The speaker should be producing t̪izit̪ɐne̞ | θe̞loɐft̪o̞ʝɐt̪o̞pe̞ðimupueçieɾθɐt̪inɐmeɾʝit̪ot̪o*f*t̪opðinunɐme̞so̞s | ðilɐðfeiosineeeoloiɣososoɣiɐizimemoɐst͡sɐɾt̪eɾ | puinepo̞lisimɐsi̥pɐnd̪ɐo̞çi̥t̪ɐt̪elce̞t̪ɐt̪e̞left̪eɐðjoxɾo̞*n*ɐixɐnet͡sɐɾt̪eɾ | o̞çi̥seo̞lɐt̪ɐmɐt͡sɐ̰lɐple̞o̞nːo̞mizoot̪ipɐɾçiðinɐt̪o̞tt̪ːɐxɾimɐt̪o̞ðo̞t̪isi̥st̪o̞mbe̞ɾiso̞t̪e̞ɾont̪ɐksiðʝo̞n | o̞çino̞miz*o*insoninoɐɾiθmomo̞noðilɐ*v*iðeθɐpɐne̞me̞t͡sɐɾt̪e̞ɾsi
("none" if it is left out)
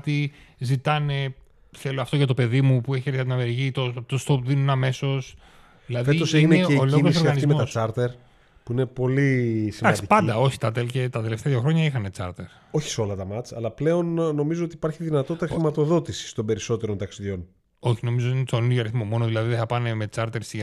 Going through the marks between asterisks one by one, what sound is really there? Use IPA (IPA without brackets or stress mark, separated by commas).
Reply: s, ɲ, o, ð